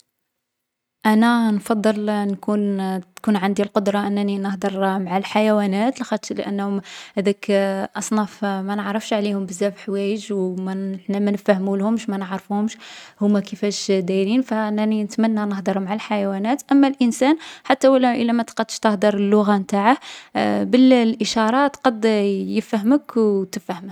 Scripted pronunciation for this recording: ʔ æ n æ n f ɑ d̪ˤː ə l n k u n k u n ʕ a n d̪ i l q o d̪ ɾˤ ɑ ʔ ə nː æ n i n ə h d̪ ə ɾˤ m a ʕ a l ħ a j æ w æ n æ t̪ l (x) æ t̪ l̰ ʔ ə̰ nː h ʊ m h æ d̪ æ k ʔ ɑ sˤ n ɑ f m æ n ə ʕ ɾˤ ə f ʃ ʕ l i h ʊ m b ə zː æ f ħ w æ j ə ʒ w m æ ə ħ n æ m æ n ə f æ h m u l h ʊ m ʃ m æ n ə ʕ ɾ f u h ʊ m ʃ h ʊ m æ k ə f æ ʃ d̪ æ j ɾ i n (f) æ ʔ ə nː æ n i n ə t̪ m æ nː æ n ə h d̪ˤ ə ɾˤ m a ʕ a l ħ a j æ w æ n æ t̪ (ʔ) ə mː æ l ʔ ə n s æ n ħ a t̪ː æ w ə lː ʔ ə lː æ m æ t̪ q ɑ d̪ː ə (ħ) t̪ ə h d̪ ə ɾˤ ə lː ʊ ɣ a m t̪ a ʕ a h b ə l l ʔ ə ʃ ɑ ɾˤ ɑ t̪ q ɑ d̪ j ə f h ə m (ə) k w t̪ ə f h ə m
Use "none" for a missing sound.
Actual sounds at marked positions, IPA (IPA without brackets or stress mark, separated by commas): x, f, ʔ, ʃ, ə